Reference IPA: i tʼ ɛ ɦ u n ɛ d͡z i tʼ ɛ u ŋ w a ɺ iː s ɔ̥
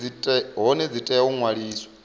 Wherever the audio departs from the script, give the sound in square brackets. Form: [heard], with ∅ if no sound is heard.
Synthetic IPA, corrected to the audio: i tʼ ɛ ɦ [ɔ] n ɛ d͡z i tʼ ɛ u ŋ w a ɺ iː s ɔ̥